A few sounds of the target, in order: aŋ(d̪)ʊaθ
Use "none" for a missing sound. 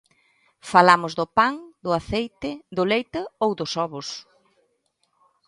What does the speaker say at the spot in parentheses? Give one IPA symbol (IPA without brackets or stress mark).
d̪